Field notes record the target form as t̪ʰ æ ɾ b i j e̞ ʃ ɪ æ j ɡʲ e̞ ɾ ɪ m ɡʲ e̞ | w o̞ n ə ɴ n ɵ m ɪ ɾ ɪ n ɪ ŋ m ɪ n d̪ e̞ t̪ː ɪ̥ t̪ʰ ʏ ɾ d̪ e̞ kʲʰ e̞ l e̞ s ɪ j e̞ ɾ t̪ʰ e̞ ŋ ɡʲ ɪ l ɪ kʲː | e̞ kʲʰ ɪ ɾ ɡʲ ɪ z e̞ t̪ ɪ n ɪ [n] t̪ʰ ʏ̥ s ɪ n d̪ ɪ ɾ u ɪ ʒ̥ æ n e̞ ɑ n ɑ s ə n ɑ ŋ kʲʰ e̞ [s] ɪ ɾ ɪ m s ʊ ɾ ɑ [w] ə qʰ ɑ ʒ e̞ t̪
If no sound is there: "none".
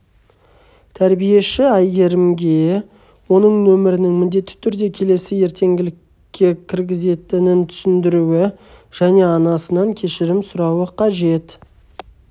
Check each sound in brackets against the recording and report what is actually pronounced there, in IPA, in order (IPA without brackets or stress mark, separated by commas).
n, ʃ, w